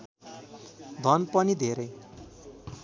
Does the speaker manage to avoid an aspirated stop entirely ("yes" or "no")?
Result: yes